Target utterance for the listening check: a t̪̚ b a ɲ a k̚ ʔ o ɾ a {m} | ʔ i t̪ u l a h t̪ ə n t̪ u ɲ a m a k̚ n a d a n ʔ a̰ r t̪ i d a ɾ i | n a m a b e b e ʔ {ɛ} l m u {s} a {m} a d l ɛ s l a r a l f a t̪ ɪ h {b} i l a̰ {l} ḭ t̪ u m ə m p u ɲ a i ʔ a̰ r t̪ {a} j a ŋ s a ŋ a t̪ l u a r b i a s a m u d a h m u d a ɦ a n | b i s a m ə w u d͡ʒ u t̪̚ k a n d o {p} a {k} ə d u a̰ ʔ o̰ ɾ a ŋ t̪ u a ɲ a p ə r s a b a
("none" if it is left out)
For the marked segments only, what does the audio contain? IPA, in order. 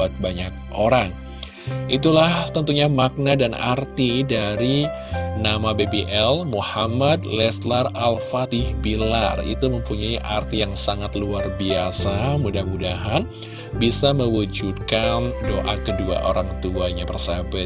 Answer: ŋ, ɛ, h, m, b, r, i, ʔ, k

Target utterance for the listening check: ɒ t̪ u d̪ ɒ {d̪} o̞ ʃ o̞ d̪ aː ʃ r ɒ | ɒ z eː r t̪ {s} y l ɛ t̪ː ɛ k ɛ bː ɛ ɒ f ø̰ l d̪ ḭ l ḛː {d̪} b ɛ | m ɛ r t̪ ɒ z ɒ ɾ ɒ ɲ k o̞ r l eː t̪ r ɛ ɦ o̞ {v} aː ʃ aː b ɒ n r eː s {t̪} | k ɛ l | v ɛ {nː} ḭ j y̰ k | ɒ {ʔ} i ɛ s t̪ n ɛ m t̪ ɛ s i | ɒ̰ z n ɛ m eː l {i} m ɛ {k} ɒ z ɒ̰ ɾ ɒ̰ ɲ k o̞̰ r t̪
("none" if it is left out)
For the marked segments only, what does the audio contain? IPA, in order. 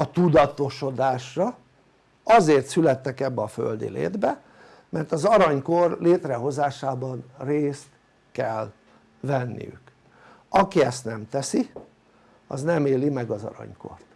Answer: t̪, s, d̪, z, t̪, nː, k, i, ɡ

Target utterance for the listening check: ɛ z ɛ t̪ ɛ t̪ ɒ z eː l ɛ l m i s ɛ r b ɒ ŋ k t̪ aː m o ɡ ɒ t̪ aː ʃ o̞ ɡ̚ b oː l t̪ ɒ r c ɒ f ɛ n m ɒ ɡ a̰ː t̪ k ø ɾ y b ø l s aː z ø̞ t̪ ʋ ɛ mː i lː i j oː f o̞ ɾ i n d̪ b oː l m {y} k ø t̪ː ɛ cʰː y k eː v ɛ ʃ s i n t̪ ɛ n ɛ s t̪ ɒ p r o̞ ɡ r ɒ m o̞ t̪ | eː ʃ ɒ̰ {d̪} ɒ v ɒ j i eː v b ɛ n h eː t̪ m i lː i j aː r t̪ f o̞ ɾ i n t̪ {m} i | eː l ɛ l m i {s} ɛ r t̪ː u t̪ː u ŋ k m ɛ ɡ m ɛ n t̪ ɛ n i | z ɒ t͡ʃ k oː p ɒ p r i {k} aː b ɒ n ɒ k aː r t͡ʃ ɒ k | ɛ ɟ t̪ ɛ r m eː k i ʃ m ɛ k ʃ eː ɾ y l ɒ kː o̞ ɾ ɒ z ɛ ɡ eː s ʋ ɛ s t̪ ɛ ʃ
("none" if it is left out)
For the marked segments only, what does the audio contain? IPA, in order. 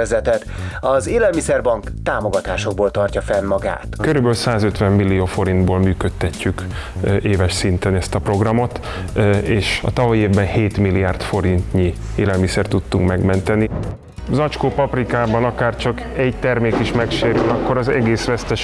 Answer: yː, t̪, ɲ, s, k

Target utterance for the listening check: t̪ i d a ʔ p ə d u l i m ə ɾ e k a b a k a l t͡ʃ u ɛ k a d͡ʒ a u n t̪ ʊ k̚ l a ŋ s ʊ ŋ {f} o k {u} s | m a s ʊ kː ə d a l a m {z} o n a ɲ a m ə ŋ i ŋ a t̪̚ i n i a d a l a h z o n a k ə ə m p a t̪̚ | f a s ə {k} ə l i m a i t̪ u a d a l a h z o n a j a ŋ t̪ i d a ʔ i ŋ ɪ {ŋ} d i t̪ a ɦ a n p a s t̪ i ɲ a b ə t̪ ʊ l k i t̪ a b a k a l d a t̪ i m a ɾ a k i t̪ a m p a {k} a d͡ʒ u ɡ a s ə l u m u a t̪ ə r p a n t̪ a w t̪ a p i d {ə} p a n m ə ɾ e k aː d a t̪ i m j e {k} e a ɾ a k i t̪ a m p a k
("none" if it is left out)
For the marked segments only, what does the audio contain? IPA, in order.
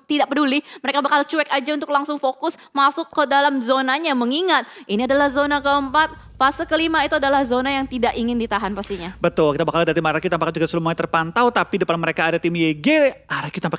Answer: f, ʊ, z, k, n, k, ə, ɡ

